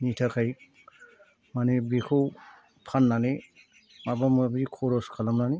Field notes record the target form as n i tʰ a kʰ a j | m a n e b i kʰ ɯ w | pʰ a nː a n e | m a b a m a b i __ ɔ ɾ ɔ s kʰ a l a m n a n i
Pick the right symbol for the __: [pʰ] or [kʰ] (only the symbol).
kʰ